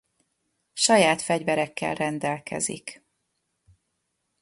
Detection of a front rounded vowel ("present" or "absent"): absent